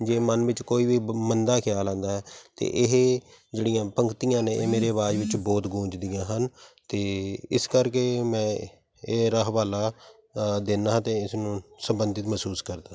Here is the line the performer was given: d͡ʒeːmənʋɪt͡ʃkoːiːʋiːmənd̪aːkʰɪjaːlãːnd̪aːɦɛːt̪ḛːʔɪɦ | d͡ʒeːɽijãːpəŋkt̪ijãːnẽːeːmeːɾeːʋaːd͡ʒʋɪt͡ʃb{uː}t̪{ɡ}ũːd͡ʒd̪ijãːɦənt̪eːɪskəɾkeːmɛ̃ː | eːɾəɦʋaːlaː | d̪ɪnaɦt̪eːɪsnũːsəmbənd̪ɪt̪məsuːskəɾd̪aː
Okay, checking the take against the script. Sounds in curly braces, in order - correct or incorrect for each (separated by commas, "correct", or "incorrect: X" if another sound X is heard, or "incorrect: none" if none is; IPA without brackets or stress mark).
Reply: incorrect: ɔː, correct